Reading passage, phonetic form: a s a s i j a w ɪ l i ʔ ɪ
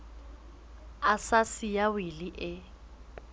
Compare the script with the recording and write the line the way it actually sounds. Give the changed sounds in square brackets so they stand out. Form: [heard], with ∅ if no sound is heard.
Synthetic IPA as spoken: a s a s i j a w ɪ l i ʔ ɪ

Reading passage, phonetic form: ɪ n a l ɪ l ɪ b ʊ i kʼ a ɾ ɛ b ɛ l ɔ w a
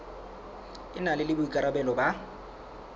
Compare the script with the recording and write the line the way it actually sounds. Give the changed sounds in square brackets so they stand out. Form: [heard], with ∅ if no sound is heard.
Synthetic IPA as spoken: ɪ n a l ɪ l ɪ b ʊ i kʼ a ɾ [a] b ɛ l ɔ [b] a

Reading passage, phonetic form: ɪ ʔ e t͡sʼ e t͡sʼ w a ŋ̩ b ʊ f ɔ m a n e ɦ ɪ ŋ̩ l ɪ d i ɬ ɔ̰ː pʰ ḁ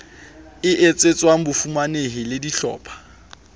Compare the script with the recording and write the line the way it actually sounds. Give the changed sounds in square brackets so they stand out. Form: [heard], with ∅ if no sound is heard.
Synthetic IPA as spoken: ɪ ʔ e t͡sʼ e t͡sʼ w a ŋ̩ b ʊ f [u] m a n e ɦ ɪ [∅] l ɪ d i ɬ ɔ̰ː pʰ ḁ

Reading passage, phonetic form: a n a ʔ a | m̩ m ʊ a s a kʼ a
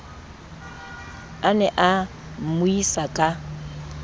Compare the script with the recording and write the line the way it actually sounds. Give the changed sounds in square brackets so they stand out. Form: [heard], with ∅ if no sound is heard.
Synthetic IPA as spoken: a n [ɛ] ʔ a | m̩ m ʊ [i] s a kʼ a

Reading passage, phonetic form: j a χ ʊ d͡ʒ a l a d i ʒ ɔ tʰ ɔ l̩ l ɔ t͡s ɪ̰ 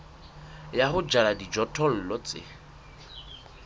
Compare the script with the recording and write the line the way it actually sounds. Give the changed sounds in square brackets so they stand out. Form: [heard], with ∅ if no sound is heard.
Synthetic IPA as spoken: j a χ ʊ d͡ʒ a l a d i [d͡ʒ] ɔ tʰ ɔ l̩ l ɔ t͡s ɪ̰

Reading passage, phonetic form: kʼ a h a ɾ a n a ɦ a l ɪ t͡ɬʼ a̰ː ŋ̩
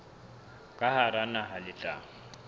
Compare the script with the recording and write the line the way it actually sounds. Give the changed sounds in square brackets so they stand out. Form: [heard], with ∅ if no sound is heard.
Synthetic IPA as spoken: kʼ a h a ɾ a n a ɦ a l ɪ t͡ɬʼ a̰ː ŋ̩

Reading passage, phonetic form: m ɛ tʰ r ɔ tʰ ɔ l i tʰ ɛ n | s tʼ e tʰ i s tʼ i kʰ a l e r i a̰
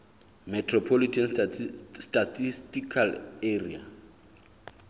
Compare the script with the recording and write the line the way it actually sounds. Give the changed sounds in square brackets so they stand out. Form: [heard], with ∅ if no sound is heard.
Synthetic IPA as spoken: m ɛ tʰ r ɔ [pʰ] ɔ l i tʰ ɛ n | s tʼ [a] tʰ i s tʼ i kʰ a l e r i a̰

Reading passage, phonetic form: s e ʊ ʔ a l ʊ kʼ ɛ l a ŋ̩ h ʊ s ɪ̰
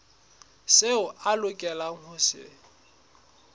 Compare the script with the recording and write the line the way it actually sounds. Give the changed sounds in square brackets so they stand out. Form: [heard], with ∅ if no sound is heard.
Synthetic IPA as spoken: s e ʊ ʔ a l ʊ kʼ ɛ l a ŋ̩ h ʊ s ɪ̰

